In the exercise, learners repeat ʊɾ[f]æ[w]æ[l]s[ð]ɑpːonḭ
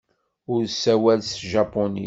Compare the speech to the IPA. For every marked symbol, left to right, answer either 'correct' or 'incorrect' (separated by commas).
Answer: incorrect, correct, correct, incorrect